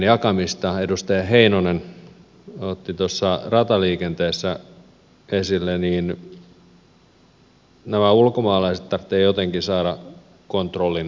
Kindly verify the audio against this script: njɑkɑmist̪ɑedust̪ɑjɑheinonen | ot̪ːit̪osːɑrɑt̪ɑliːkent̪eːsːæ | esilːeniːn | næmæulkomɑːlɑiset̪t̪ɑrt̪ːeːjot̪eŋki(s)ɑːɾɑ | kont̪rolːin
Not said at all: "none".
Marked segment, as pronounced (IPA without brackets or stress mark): s